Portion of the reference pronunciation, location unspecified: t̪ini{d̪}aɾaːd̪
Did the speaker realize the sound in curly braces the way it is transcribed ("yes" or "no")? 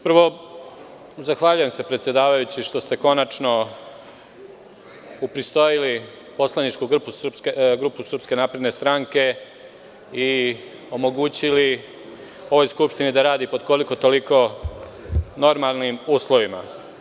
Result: yes